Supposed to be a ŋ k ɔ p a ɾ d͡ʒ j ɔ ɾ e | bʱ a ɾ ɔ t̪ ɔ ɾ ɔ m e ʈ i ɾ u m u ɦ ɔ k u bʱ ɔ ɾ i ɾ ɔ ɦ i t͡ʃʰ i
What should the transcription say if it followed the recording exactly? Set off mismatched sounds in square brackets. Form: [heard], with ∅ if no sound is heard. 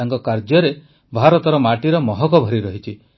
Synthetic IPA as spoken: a ŋ k ɔ [k] a ɾ d͡ʒ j ɔ ɾ e | bʱ a ɾ ɔ t̪ ɔ ɾ ɔ m [a] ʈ i ɾ [ɔ] m [ɔ] ɦ ɔ k [ɔ] bʱ ɔ ɾ i ɾ ɔ ɦ i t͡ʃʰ i